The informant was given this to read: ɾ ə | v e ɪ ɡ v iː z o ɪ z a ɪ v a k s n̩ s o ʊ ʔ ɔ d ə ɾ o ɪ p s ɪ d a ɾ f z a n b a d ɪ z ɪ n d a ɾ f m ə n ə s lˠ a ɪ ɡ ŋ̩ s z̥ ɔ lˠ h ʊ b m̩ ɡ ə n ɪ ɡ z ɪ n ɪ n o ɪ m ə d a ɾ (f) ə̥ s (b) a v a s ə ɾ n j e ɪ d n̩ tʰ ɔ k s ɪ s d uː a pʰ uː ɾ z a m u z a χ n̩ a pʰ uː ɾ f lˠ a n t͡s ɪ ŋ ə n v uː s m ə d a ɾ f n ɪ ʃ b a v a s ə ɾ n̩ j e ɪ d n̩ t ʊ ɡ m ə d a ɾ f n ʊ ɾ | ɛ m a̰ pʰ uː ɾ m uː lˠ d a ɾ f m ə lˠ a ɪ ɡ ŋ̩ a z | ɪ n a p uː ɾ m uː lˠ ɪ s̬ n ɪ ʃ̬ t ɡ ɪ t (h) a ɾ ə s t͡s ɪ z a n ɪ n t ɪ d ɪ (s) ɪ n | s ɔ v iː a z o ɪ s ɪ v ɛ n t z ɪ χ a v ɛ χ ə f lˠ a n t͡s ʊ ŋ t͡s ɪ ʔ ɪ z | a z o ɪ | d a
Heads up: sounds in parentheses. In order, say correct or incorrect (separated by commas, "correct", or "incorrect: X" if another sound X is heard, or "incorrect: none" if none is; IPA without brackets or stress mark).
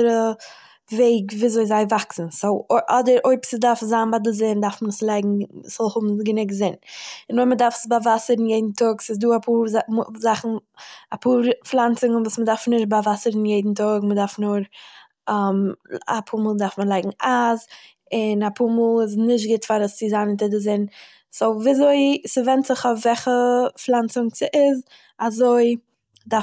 correct, correct, incorrect: f, incorrect: z